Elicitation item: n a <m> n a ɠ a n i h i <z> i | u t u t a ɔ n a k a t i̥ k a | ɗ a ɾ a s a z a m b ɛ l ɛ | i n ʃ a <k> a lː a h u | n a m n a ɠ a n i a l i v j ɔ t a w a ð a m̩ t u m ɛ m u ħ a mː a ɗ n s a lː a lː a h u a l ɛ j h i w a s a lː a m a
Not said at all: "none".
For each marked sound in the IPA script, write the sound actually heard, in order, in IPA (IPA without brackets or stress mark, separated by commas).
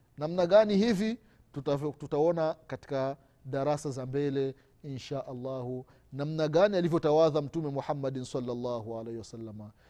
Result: m, v, ʔ